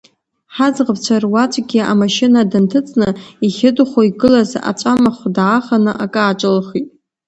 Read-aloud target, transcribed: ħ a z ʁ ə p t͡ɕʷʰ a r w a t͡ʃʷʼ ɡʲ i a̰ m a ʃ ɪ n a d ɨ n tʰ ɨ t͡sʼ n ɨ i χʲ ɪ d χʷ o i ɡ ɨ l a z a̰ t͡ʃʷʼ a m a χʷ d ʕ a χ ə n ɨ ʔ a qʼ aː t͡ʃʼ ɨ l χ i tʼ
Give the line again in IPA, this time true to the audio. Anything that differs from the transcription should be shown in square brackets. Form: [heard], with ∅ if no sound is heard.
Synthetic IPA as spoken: ħ a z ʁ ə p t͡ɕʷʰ a r w a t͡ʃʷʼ ɡʲ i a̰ m a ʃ ɪ n a d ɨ n tʰ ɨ t͡sʼ n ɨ i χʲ ɪ d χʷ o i ɡ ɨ l a z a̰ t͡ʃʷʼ a m a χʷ d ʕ a χ [a] n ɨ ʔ a [kʼ] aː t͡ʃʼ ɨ l χ i tʼ